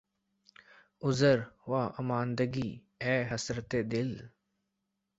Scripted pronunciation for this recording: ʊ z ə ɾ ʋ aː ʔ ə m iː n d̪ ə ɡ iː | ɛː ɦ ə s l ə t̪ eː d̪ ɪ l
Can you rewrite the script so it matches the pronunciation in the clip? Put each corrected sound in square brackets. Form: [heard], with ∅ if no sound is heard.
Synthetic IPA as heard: ʊ z ə ɾ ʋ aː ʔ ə m [aː] n d̪ ə ɡ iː | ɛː ɦ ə s [ɾ] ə t̪ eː d̪ ɪ l